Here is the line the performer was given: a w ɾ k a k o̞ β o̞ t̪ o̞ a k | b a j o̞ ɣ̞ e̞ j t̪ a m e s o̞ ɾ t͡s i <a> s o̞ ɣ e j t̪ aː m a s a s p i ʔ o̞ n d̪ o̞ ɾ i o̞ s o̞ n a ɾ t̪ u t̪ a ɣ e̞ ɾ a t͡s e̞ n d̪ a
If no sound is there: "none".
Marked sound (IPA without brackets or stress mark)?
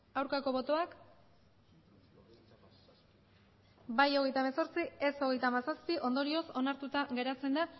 e